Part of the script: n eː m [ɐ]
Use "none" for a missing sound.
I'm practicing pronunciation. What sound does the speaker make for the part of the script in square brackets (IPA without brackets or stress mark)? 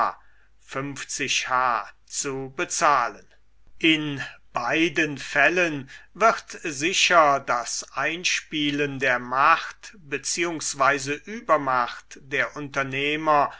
ɐ